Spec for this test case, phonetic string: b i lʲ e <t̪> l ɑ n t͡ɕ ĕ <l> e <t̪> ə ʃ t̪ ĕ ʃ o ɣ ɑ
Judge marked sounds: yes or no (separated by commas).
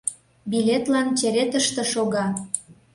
yes, no, yes